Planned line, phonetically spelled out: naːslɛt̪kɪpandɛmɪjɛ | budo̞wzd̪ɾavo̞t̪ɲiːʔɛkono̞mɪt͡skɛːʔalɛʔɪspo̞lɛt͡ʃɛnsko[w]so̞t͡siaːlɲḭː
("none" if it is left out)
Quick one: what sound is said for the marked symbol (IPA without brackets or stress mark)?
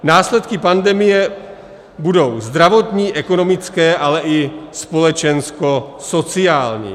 none